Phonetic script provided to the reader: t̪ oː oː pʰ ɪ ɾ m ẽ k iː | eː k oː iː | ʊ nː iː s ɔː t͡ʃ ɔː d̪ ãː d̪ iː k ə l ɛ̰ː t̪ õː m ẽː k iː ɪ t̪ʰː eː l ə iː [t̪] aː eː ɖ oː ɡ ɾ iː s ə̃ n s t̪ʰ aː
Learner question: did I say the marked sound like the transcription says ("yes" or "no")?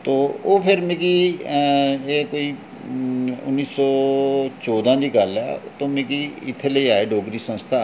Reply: no